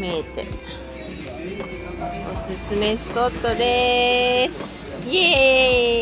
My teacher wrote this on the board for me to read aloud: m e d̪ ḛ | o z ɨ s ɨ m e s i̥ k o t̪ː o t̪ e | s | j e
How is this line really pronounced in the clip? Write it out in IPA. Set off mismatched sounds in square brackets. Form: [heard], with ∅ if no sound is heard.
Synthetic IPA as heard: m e [t̪] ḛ | o [s] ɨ s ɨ m e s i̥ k o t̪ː o [d̪] e | s | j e

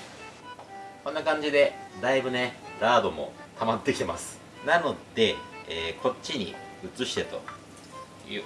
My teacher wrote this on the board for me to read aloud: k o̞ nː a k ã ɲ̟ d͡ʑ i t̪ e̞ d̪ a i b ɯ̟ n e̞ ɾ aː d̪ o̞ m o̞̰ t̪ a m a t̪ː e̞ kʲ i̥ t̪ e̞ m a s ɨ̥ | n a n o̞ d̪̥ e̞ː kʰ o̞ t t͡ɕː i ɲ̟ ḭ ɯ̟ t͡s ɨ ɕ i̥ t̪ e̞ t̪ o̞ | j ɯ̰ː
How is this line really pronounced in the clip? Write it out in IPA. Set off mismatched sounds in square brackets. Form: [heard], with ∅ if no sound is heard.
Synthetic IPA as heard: k o̞ nː a k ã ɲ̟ d͡ʑ i [d̪] e̞ d̪ a i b ɯ̟ n e̞ ɾ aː d̪ o̞ m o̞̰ t̪ a m a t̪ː e̞ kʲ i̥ t̪ e̞ m a s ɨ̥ | n a n o̞ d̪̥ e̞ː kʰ o̞ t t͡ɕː i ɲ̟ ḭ ɯ̟ t͡s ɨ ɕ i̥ t̪ e̞ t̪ o̞ | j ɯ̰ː

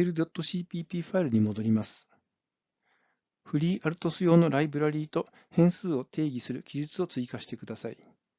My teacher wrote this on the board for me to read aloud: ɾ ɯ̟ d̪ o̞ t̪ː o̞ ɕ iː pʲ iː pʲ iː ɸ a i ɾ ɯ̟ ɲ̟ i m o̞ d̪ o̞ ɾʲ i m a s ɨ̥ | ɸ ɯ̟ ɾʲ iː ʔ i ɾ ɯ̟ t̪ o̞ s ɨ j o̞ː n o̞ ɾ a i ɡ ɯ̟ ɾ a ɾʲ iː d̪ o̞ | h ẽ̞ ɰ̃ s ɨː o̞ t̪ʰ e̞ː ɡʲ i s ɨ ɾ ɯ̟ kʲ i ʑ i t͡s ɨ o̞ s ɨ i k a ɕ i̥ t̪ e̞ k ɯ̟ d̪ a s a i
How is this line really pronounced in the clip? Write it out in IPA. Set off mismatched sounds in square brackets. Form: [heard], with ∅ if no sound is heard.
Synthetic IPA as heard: ɾ ɯ̟ d̪ o̞ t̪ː o̞ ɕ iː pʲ iː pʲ iː ɸ a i ɾ ɯ̟ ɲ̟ i m o̞ d̪ o̞ ɾʲ i m a s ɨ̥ | ɸ ɯ̟ ɾʲ iː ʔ [a] ɾ ɯ̟ t̪ o̞ s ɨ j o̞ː n o̞ ɾ a i [b] ɯ̟ ɾ a ɾʲ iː [t̪] o̞ | h ẽ̞ ɰ̃ s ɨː o̞ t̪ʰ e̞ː ɡʲ i s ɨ ɾ ɯ̟ kʲ i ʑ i t͡s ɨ o̞ [t͡s] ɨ i k a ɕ i̥ t̪ e̞ k ɯ̟ d̪ a s a i

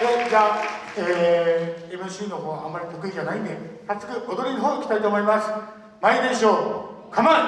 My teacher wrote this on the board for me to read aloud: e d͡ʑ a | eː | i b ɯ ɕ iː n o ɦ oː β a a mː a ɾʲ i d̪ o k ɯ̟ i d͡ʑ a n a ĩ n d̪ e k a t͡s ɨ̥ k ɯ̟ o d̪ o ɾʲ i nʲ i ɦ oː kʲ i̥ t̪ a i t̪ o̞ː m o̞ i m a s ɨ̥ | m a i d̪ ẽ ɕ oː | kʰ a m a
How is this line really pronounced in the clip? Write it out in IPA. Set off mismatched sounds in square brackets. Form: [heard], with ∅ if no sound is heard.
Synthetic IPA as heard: e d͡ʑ a | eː | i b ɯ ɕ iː n o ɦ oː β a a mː a ɾʲ i [t̪] o k ɯ̟ i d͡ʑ a n a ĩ n d̪ e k a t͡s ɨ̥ k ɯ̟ o d̪ o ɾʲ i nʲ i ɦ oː kʲ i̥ t̪ a i t̪ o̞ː m o̞ i m a s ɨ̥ | m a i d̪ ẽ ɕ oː | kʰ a m a

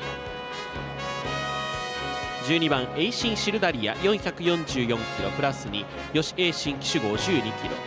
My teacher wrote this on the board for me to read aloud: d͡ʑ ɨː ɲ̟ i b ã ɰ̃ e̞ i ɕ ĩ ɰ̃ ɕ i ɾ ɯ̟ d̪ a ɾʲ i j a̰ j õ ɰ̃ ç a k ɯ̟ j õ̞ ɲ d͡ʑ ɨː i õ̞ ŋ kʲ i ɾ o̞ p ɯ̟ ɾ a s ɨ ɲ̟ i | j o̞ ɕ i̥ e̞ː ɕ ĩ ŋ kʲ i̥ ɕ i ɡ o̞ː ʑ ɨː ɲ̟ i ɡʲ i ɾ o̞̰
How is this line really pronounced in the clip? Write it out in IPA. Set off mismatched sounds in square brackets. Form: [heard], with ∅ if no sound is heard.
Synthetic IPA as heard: d͡ʑ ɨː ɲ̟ i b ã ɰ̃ e̞ i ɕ ĩ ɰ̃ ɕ i ɾ ɯ̟ d̪ a ɾʲ i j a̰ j õ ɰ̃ ç a k ɯ̟ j õ̞ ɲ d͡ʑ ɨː [j] õ̞ ŋ kʲ i ɾ o̞ p ɯ̟ ɾ a s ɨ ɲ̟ i | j o̞ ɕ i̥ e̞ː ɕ ĩ ŋ kʲ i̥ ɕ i ɡ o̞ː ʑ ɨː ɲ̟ i [kʲ] i ɾ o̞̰

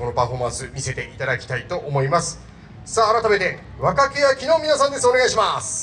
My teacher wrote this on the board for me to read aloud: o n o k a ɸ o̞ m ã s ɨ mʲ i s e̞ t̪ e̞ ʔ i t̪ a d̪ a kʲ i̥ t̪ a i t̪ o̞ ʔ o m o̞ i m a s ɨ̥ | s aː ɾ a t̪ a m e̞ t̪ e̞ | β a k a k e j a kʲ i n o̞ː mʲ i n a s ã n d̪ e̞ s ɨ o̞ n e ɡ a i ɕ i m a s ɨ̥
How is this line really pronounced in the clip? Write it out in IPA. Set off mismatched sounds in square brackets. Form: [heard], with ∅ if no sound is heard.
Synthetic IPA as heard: o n o [p] a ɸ o̞ m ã s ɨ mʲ i s e̞ t̪ e̞ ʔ i t̪ a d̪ a kʲ i̥ t̪ a i t̪ o̞ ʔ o m o̞ i m a s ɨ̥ | s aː ɾ a t̪ a m e̞ t̪ e̞ | β a k a k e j a kʲ i n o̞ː mʲ i n a s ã n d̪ e̞ s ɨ o̞ n e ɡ a i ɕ i m a s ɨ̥

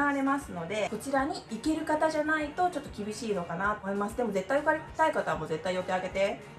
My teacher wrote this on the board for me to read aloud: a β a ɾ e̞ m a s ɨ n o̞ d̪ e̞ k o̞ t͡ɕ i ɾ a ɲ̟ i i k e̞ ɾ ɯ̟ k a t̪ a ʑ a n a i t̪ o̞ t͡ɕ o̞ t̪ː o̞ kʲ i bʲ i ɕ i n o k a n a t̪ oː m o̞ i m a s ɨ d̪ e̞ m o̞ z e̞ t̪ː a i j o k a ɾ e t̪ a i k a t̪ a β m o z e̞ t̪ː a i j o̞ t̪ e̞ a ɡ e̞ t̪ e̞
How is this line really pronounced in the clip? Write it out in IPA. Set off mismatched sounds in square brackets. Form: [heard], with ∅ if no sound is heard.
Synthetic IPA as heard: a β a ɾ e̞ m a s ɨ n o̞ d̪ e̞ k o̞ t͡ɕ i ɾ a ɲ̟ i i k e̞ ɾ ɯ̟ k a t̪ a ʑ a n a i t̪ o̞ t͡ɕ o̞ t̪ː o̞ kʲ i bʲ i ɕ [iː] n o k a n a t̪ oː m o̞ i m a s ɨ d̪ e̞ m o̞ z e̞ t̪ː a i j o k a ɾ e t̪ a i k a t̪ a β m o z e̞ t̪ː a i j o̞ t̪ e̞ a ɡ e̞ t̪ e̞

